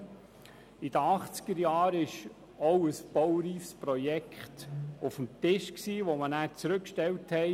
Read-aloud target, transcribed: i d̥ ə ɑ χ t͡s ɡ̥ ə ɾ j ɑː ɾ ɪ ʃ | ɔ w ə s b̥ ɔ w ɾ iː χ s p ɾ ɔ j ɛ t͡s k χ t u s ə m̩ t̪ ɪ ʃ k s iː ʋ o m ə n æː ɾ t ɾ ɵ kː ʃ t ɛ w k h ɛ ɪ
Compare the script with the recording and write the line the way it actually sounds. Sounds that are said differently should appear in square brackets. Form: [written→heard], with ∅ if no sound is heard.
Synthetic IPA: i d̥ ə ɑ χ t͡s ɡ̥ ə ɾ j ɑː ɾ ɪ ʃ | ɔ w ə s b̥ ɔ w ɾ iː [χ→f] s p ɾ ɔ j ɛ [t͡s→∅] k χ t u [s→f] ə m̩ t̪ ɪ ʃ k s iː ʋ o m ə n æː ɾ [t→t͡s] ɾ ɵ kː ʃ t ɛ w [k→t] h ɛ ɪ